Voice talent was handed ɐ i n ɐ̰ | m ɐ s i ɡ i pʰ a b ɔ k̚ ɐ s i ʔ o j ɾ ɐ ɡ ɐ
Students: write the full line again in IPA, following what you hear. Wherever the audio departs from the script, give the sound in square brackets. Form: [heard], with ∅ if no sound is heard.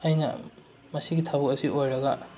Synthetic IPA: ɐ [j] n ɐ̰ | m ɐ s i ɡ i [tʰ] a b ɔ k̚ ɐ s i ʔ o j ɾ ɐ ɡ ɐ